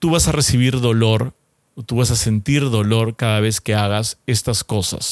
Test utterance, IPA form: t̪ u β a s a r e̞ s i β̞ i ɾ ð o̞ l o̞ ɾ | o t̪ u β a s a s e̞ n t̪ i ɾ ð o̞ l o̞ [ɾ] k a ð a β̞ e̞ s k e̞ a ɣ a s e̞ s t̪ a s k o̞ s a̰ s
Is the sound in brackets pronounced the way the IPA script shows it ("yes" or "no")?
yes